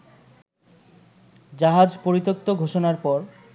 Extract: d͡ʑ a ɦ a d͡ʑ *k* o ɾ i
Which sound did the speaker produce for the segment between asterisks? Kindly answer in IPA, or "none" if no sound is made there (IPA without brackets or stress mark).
p